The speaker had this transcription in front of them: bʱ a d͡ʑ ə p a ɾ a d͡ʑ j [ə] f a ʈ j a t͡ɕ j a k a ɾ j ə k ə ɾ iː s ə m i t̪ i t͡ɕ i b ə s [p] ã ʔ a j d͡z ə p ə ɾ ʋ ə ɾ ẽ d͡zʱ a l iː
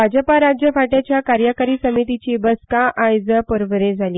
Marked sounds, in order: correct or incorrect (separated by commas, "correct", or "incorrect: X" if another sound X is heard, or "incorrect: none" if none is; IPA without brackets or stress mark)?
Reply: correct, incorrect: k